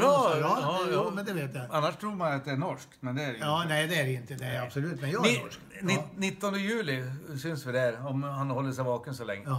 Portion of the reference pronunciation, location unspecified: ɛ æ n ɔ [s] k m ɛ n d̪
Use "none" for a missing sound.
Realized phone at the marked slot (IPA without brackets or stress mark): ʂ